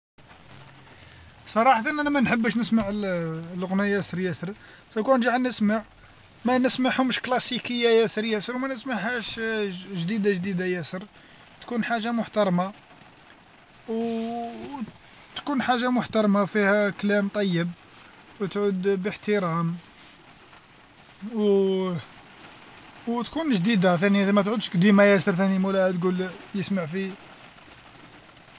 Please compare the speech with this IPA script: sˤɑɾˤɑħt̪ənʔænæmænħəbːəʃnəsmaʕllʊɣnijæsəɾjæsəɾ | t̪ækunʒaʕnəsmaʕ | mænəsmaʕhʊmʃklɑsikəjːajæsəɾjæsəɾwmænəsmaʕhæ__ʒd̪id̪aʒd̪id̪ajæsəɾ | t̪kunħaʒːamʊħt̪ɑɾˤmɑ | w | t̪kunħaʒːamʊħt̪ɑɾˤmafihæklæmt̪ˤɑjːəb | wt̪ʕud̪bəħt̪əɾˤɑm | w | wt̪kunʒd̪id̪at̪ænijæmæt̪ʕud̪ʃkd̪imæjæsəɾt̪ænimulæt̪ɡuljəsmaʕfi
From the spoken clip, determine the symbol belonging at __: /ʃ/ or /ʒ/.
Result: ʃ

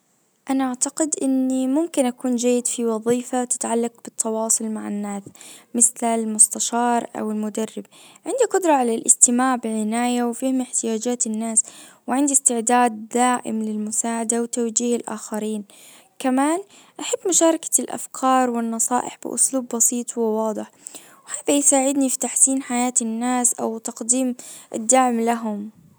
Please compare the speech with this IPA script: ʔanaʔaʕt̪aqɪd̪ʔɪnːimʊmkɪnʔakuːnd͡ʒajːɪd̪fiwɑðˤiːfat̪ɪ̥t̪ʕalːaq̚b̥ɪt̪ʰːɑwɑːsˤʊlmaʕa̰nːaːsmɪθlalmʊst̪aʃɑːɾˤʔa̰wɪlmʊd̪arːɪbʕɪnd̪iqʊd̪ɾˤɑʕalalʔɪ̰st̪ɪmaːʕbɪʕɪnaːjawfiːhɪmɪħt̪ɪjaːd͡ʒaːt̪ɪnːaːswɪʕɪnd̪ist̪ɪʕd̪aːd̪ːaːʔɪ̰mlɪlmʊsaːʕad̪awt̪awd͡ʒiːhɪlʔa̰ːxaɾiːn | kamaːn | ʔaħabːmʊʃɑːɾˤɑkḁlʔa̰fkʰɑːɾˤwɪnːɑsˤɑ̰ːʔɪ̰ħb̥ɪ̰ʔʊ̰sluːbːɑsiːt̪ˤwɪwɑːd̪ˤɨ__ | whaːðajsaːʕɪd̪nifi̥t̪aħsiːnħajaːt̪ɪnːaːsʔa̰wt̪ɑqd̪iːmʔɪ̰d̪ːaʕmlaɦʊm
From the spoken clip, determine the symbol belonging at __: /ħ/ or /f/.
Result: ħ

